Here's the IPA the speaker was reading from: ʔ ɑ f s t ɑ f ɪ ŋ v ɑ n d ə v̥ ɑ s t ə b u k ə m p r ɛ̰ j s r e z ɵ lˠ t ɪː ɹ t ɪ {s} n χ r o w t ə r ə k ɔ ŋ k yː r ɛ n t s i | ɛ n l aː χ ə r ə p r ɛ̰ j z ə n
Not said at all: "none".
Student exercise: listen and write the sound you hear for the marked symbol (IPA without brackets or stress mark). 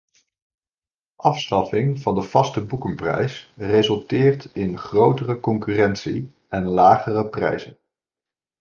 none